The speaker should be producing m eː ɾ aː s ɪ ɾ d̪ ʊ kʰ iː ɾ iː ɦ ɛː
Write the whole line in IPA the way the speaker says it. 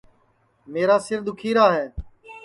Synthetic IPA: m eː ɾ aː s ɪ ɾ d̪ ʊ kʰ iː ɾ aː ɦ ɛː